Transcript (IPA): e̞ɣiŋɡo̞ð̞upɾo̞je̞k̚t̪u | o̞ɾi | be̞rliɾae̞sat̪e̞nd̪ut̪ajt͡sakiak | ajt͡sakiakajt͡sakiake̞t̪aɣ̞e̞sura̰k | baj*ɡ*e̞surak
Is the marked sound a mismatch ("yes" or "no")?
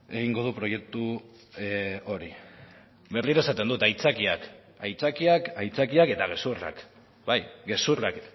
no